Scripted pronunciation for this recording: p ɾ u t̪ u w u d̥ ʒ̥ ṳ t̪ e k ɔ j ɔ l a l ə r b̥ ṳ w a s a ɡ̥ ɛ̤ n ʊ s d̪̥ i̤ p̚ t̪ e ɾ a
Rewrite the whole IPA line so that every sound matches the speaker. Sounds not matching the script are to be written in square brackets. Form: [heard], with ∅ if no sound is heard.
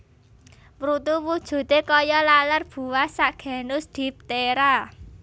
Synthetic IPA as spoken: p ɾ u t̪ u w u d̥ ʒ̥ ṳ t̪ e k ɔ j ɔ l a l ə r b̥ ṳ w a s a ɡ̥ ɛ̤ n ʊ s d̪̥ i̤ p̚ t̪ e ɾ a